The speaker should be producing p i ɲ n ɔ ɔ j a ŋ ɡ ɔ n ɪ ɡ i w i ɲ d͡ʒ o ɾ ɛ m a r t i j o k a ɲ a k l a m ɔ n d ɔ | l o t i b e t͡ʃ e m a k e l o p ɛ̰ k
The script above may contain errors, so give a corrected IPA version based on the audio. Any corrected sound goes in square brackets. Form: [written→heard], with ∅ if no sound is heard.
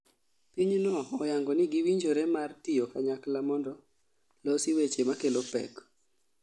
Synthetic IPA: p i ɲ n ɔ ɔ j a ŋ ɡ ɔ n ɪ ɡ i w i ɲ d͡ʒ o ɾ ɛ m a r t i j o k a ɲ a k l a m ɔ n d ɔ | l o [t→s] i [b→w] e t͡ʃ e m a k e l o p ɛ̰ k